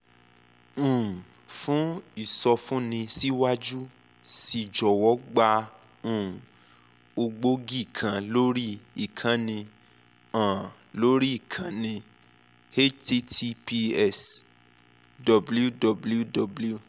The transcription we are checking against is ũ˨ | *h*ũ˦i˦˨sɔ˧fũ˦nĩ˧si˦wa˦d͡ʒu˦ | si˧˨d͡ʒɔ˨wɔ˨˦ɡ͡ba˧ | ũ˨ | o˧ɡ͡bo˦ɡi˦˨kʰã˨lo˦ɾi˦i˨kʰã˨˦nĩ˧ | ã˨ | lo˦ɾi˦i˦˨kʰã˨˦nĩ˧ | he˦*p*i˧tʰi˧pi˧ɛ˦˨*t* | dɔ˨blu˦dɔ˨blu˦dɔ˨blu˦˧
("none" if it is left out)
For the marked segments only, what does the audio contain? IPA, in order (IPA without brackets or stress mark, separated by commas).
f, t, s